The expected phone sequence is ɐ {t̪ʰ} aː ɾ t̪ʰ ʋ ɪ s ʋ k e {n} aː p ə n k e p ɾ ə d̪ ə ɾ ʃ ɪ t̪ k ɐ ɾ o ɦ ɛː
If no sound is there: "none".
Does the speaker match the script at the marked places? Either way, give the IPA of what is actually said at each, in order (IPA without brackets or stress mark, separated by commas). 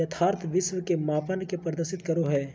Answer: t̪ʰ, m